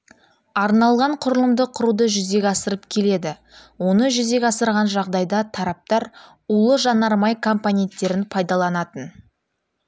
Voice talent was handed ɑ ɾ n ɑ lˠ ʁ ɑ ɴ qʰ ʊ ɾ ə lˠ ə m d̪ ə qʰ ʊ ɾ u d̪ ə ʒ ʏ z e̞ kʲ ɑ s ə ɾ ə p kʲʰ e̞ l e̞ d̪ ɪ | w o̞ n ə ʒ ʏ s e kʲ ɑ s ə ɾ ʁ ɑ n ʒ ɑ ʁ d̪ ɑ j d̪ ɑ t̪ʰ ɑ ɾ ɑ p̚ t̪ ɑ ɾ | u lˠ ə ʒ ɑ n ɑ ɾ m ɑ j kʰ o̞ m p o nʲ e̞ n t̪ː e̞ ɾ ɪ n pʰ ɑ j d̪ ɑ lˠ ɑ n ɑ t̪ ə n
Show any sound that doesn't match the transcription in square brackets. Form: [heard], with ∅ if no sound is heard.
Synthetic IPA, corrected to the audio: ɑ ɾ n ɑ lˠ ʁ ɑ ɴ qʰ ʊ ɾ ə lˠ ə m d̪ ə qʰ ʊ ɾ u d̪ ə ʒ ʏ z e̞ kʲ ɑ s ə ɾ ə p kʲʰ e̞ l e̞ d̪ ɪ | w o̞ n ə ʒ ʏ [z] e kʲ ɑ s ə ɾ ʁ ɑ n ʒ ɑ ʁ d̪ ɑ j d̪ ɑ t̪ʰ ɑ ɾ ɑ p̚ t̪ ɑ ɾ | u lˠ ə ʒ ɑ n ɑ ɾ m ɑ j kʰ o̞ m p o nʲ e̞ n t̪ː e̞ ɾ ɪ n pʰ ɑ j d̪ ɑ lˠ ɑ n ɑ t̪ ə n